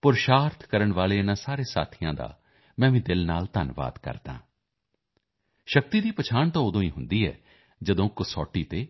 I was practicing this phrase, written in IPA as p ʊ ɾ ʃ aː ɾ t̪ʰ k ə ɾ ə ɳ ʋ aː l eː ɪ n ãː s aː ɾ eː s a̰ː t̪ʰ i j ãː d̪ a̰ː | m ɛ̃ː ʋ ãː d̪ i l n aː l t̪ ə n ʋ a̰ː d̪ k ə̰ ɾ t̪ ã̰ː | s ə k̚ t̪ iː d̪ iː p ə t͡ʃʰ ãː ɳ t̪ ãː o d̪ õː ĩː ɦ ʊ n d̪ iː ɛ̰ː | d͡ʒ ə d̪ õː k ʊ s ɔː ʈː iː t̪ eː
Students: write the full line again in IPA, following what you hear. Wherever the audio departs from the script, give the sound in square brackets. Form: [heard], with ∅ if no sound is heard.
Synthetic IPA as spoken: p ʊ ɾ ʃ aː ɾ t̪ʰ k ə ɾ ə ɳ ʋ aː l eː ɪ n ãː s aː ɾ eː s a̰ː t̪ʰ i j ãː d̪ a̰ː | m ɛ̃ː ʋ [ĩː] d̪ [ɪ] l n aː l t̪ ə n ʋ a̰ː d̪ k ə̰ ɾ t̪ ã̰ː | [ʃ] ə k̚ t̪ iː d̪ iː p ə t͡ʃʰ [aː] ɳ t̪ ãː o d̪ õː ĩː ɦ ʊ n d̪ iː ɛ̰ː | d͡ʒ ə d̪ õː k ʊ s ɔː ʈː iː t̪ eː